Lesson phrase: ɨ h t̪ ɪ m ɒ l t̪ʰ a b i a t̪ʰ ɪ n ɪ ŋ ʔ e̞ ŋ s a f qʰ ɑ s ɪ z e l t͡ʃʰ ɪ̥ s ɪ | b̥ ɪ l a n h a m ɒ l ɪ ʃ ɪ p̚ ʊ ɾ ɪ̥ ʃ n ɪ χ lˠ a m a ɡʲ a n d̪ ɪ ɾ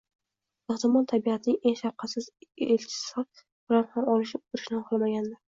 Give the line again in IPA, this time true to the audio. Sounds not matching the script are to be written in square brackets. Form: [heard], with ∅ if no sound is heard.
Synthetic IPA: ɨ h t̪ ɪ m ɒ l t̪ʰ a b i a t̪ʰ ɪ n ɪ ŋ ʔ e̞ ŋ [ʃ] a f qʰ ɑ s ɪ z e l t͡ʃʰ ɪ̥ s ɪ | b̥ ɪ l a n h a m ɒ l ɪ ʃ ɪ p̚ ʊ ɾ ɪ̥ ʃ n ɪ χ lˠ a m a ɡʲ a n d̪ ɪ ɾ